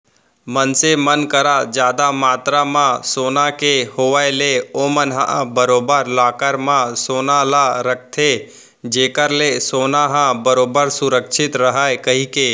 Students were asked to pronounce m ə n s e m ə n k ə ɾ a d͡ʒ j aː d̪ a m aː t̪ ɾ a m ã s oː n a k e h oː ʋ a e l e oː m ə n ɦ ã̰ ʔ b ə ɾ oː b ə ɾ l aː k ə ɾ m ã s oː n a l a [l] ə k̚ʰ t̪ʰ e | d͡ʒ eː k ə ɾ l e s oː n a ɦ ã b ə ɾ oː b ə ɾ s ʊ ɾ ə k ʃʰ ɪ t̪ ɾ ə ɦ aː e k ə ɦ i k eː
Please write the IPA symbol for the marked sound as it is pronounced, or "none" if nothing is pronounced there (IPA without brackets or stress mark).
ɾ